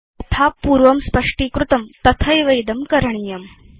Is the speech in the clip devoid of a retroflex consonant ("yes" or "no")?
no